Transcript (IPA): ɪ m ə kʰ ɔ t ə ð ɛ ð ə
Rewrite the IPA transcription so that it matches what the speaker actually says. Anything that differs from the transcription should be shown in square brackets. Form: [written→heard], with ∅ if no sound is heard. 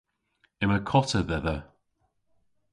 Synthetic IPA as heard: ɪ m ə kʰ ɔ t ə ð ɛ ð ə